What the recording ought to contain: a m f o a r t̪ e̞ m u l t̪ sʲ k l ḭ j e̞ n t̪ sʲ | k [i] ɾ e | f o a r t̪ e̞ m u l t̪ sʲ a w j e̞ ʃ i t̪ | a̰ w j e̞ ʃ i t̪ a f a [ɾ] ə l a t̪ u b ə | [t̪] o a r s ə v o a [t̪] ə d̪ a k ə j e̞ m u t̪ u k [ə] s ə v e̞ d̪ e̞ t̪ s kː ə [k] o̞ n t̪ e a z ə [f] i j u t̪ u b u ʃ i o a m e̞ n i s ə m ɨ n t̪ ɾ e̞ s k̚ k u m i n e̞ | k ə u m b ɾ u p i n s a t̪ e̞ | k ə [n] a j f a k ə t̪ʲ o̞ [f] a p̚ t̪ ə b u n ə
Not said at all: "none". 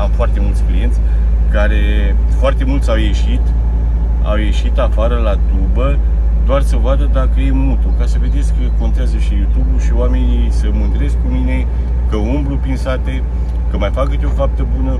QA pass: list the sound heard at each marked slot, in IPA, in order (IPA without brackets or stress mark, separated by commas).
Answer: a, ɾ, d̪, d̪, a, k, ʃ, m, f